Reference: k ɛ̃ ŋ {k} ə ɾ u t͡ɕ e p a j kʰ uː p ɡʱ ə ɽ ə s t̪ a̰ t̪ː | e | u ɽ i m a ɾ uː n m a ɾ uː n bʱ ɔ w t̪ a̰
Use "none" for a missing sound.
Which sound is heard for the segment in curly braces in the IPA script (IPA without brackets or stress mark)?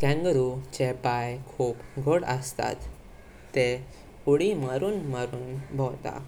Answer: ɡ